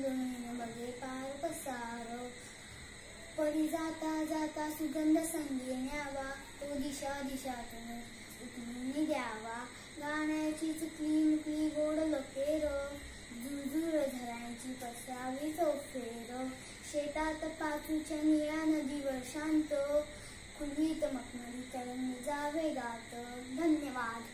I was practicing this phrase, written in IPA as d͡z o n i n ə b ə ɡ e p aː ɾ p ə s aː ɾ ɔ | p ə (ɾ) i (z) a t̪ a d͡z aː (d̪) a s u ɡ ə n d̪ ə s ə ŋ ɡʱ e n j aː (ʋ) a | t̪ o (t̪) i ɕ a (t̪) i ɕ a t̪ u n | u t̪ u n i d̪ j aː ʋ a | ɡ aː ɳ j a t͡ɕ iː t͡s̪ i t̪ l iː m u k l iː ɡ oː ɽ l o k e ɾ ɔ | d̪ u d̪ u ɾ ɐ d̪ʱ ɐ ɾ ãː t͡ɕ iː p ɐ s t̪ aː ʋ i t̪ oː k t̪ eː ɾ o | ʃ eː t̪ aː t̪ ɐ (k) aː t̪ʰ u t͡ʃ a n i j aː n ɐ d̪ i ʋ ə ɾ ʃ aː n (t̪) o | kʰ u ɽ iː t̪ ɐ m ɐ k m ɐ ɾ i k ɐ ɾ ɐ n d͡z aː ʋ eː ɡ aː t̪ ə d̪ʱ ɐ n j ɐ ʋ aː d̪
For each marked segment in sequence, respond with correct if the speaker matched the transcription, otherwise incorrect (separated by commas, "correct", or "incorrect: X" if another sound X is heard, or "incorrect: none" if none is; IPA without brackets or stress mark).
correct, incorrect: d͡z, incorrect: t̪, correct, incorrect: d̪, incorrect: d̪, incorrect: p, correct